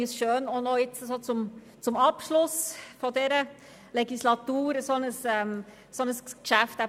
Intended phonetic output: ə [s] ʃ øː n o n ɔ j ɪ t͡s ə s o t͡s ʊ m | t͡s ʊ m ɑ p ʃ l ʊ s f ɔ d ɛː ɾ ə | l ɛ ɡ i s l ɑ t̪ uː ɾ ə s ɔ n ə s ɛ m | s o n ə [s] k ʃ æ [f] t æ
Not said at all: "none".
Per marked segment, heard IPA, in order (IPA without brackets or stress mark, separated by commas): s, s, f